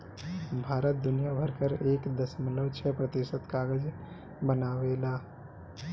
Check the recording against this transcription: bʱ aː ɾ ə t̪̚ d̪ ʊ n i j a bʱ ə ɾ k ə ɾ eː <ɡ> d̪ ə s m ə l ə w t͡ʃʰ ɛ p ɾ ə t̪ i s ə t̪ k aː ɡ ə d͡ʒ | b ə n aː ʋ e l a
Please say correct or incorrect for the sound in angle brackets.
incorrect: k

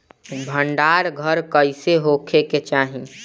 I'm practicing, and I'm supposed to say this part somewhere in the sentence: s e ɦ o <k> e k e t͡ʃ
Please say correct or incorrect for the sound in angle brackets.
incorrect: kʰ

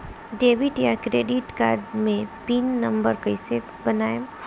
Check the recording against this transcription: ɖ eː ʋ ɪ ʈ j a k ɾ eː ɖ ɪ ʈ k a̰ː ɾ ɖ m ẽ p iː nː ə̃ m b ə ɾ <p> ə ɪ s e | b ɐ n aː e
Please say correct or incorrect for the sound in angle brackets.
incorrect: k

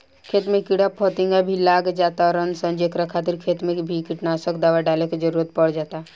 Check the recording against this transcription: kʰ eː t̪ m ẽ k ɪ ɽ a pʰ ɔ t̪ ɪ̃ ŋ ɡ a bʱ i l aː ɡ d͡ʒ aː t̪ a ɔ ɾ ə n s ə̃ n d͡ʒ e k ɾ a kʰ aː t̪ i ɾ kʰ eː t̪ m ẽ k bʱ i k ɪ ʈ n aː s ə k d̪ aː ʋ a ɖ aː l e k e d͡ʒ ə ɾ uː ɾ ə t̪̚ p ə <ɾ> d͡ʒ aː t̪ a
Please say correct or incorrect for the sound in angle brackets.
incorrect: ɽ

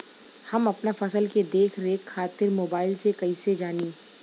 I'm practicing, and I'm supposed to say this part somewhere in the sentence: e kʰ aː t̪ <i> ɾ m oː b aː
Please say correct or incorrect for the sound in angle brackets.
incorrect: ɪ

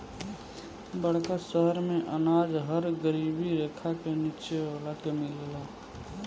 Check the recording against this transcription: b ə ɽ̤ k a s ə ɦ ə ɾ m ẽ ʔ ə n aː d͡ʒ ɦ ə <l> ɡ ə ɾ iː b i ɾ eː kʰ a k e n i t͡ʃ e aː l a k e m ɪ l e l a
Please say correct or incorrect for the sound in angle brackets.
incorrect: ɾ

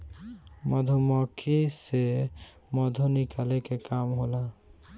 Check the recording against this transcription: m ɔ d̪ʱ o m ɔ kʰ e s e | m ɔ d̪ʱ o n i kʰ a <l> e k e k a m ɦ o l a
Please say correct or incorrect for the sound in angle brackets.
correct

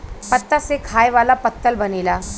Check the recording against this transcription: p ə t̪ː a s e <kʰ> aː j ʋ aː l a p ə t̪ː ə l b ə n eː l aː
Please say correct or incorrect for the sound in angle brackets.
correct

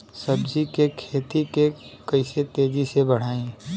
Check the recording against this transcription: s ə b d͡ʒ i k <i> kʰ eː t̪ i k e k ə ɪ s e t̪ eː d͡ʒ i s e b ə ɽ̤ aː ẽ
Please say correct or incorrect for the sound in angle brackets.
incorrect: e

